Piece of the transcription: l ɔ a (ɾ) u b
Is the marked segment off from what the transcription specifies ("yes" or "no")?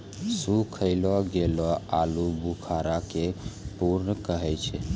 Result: yes